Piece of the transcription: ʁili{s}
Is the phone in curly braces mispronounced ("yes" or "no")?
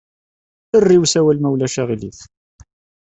yes